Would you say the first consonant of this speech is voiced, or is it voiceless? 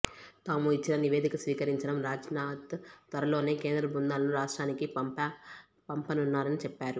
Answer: voiceless